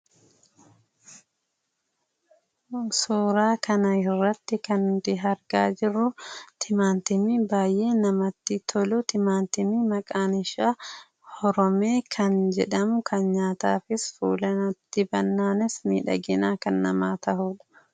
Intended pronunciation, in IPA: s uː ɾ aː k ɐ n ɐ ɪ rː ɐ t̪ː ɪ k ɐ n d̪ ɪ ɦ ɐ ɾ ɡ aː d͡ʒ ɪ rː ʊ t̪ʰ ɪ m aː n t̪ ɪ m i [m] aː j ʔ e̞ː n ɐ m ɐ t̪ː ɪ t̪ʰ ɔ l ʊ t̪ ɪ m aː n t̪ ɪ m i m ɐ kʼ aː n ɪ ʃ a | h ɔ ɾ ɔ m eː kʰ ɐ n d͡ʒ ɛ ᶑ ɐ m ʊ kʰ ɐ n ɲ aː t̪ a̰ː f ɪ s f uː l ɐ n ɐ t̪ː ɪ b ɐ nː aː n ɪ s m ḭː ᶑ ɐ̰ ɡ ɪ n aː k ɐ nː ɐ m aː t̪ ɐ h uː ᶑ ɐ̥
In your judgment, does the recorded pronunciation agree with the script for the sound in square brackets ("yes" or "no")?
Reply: no